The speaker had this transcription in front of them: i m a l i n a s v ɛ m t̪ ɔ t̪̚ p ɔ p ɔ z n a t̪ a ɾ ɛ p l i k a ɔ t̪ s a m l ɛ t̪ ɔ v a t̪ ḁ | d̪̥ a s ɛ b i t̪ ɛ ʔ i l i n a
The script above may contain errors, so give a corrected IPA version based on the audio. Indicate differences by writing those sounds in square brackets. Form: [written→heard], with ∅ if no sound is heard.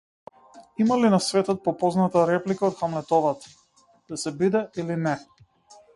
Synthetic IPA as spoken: i m a l i n a s v ɛ [m→∅] t̪ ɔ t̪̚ p ɔ p ɔ z n a t̪ a ɾ ɛ p l i k a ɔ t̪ [s→x] a m l ɛ t̪ ɔ v a t̪ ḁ | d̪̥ a s ɛ b i [t̪→d̪] ɛ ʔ i l i n [a→ɛ]